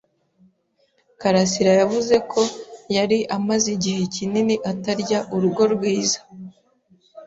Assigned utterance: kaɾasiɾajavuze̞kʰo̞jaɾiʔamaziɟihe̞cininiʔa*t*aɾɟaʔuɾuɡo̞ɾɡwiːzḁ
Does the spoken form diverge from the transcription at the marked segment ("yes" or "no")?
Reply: no